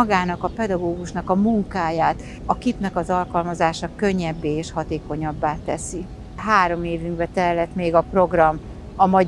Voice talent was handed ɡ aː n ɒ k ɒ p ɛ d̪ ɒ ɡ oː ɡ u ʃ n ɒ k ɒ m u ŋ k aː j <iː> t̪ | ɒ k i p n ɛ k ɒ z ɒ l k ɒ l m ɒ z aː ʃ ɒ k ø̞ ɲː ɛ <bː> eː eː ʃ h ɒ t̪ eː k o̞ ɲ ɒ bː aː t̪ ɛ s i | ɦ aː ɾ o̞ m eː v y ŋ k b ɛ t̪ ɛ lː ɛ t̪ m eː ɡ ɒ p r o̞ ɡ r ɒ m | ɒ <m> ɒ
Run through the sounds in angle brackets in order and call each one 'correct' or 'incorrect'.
incorrect: aː, correct, correct

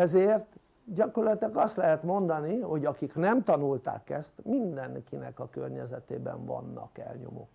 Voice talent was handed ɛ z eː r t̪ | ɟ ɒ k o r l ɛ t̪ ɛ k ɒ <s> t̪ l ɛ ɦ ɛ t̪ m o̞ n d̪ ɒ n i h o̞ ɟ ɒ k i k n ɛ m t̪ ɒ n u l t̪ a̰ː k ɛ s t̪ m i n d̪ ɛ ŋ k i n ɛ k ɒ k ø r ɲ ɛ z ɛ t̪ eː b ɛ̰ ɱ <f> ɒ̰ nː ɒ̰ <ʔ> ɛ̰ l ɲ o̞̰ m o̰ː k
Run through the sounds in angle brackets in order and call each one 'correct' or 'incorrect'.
correct, incorrect: v, incorrect: k

